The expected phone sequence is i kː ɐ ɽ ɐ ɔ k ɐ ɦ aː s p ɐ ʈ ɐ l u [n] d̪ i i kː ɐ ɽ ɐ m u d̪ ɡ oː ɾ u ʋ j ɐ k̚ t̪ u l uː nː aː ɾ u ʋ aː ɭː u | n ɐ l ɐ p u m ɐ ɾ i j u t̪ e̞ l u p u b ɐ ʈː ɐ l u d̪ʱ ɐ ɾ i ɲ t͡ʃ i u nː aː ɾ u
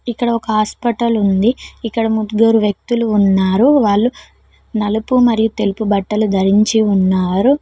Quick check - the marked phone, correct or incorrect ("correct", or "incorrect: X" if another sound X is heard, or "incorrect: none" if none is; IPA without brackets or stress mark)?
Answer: correct